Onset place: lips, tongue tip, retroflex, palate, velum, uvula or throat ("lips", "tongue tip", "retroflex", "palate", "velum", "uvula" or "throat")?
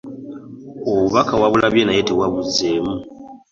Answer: lips